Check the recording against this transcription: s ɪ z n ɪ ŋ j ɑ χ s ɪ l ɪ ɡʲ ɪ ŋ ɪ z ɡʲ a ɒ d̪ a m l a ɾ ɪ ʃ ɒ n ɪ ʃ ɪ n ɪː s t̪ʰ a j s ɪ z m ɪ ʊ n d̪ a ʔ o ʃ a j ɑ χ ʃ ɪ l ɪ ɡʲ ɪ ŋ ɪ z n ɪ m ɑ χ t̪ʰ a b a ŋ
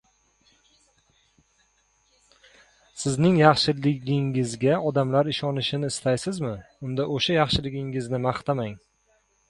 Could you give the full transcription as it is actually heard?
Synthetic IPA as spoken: s ɪ z n ɪ ŋ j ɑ χ ʃ ɪ l ɪ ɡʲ ɪ ŋ ɪ z ɡʲ a ɒ d̪ a m l a ɾ ɪ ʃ ɒ n ɪ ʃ ɪ n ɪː s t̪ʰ a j s ɪ z m ɪ ʊ n d̪ a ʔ o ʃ a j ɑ χ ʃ ɪ l ɪ ɡʲ ɪ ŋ ɪ z n ɪ m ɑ χ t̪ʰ a m a ŋ